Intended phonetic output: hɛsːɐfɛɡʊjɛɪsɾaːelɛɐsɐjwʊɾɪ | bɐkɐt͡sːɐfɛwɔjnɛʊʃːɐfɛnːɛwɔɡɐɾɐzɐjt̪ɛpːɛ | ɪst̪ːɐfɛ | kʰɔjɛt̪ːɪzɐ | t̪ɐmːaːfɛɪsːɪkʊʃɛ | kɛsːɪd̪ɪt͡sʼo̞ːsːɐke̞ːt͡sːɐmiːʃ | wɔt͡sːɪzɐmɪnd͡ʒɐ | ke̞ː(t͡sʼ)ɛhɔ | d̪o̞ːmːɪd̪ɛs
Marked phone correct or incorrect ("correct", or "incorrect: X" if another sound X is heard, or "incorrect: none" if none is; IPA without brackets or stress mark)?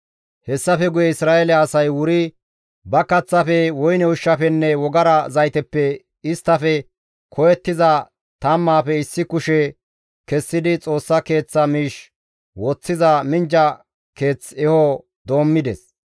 incorrect: t͡s